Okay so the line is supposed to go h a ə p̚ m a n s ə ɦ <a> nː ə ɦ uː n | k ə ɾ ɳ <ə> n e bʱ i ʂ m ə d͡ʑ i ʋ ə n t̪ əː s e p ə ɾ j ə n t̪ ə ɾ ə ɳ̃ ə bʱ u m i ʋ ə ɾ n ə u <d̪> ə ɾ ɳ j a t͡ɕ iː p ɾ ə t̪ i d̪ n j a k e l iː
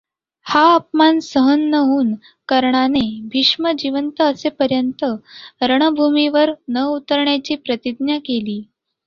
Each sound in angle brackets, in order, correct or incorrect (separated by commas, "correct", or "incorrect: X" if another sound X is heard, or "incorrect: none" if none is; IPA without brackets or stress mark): incorrect: ə, incorrect: a, incorrect: t̪